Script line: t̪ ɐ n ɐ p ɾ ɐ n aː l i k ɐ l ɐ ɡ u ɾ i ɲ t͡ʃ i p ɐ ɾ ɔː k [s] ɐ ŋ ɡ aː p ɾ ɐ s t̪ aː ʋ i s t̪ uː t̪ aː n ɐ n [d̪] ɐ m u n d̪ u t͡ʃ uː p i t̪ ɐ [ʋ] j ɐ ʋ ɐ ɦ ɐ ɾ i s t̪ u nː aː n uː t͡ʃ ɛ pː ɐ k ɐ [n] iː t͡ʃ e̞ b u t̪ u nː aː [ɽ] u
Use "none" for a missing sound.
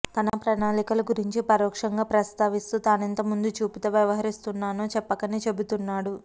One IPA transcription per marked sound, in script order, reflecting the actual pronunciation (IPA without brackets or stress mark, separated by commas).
ʂ, t̪, ʋ, n, ɽ